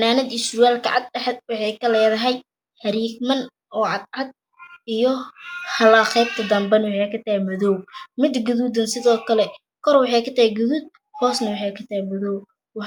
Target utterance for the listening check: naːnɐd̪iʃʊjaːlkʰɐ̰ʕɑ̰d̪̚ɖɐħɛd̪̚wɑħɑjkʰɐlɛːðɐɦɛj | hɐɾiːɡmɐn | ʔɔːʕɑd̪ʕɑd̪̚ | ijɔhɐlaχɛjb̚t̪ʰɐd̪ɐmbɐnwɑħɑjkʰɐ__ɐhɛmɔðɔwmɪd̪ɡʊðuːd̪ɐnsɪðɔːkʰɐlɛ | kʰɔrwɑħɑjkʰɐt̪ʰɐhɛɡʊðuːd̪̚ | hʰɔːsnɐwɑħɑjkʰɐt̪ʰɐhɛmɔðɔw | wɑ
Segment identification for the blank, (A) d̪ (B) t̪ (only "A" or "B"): B